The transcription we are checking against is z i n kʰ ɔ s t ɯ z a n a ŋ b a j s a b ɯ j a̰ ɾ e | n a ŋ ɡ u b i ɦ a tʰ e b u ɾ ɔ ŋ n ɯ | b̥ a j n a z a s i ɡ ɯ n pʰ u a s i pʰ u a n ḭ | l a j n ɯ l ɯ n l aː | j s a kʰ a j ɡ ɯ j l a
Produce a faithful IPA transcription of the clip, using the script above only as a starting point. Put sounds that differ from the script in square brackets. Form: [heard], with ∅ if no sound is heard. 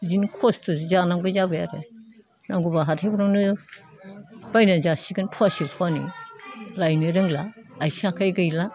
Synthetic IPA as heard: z i n kʰ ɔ s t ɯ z a n a ŋ b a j [z] a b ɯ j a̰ ɾ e | n a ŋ ɡ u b [a] ɦ a tʰ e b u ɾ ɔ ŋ n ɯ | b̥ a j n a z a s i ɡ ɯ n pʰ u a s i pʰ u a n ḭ | l a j n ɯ [ɾ] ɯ [ŋ] l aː | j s a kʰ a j ɡ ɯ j l a

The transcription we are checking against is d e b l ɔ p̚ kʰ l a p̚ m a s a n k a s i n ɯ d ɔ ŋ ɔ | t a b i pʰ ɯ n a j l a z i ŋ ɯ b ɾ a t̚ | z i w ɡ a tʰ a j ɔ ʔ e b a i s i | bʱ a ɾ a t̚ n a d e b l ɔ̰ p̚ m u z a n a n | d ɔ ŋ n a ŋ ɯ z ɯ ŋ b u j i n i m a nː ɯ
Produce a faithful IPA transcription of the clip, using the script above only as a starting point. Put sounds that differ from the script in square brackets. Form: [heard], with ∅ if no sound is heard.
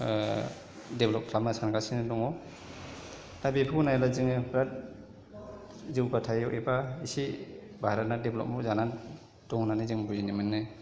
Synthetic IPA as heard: d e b l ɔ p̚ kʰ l a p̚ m a s a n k a s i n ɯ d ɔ ŋ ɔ | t a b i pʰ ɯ n a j l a z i ŋ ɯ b ɾ a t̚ | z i w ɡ a tʰ a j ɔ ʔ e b a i s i | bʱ a ɾ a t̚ n a d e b l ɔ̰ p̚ m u z a n a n | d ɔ ŋ n a [n] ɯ z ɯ ŋ b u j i n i m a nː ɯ

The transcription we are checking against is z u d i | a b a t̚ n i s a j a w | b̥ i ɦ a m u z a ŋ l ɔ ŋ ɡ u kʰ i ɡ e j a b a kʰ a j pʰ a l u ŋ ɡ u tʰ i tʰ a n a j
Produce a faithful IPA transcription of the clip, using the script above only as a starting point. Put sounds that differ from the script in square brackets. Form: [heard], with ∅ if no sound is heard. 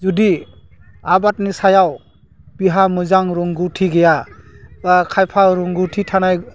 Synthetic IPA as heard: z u d i | a b a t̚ n i s a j a w | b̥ i ɦ a m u z a ŋ [ɾ] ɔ ŋ ɡ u [tʰ] i ɡ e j a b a kʰ a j pʰ a [ɾ] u ŋ ɡ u tʰ i tʰ a n a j

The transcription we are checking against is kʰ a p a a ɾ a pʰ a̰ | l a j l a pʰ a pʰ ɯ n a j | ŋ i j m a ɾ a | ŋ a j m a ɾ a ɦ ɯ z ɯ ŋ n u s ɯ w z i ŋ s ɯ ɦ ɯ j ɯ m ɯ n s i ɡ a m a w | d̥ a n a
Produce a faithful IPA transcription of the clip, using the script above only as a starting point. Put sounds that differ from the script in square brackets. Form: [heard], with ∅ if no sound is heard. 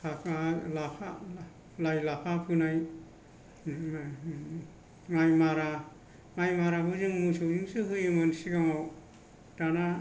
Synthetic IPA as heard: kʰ a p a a [l] a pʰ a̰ | l a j l a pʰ a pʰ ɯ n a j | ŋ [a] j m a ɾ a | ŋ a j m a ɾ a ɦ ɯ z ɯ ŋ [m] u s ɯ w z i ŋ s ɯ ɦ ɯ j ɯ m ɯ n s i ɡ a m a w | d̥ a n a

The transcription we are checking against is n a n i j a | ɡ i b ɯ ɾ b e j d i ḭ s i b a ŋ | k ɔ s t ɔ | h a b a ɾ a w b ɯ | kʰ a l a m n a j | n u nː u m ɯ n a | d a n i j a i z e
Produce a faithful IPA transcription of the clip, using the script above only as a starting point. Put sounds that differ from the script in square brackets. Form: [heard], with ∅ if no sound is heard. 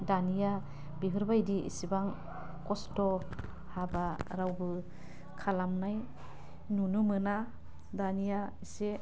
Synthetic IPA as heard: [d] a n i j a | [b] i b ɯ ɾ b [a] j d i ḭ s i b a ŋ | k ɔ s t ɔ | h a b a ɾ a w b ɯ | kʰ a l a m n a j | n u [n] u m ɯ n a | d a n i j a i [s] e

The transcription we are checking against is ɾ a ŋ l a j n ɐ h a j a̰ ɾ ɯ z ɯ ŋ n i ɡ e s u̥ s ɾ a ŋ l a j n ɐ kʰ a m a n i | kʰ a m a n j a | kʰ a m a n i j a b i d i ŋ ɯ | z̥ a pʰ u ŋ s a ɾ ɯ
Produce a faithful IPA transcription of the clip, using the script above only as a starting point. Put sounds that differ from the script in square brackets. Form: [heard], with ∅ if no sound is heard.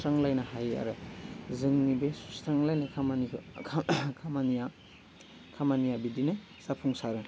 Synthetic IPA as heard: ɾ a ŋ l a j n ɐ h a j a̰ ɾ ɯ z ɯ ŋ n i [b] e s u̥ s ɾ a ŋ l a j n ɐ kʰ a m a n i | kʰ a m a n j a | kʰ a m a n i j a b i d i [n] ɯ | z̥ a pʰ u ŋ s a ɾ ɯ

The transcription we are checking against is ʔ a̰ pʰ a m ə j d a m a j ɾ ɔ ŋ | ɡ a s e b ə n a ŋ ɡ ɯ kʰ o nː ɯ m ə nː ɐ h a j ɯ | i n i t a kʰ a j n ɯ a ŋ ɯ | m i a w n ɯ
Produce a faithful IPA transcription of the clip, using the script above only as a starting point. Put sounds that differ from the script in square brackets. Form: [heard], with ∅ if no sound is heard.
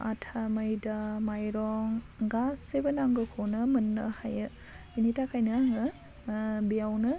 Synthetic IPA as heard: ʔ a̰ [tʰ] a m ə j d a m a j ɾ ɔ ŋ | ɡ a s e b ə n a ŋ ɡ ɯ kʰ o [n] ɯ m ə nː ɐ h a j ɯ | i n i t a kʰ a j n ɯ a ŋ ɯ | [b] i a w n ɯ

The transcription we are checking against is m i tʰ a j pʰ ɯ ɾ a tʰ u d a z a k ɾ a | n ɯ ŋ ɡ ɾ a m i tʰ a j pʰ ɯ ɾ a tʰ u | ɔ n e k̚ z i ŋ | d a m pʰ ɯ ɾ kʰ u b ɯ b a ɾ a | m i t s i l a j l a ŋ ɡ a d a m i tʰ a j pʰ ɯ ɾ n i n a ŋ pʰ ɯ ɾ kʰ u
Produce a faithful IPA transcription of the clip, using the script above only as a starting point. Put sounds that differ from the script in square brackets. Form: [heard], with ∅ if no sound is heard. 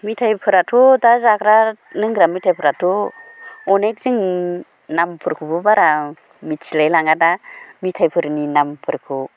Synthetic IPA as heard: m i tʰ a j pʰ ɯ ɾ a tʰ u d a z a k ɾ a | n ɯ ŋ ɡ ɾ a m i tʰ a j pʰ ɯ ɾ a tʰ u | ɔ n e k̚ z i ŋ | [n] a m pʰ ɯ ɾ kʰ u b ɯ b a ɾ a | m i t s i l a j l a ŋ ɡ a d a m i tʰ a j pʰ ɯ ɾ n i n a [m] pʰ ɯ ɾ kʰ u

